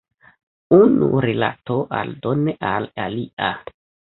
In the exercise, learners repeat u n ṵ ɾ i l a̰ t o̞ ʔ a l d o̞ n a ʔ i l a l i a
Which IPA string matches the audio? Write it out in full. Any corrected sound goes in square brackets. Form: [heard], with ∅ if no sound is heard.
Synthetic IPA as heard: u n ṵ ɾ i l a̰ t o̞ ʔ a l d o̞ n [e] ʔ [a] l a l i a